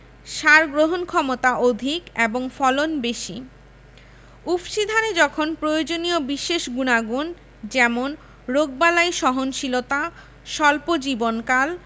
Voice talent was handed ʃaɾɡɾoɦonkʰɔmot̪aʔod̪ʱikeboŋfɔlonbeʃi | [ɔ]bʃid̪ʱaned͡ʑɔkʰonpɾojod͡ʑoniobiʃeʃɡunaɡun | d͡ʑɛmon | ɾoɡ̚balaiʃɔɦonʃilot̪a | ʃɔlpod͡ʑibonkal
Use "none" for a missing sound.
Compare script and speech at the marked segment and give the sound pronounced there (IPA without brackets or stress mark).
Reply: u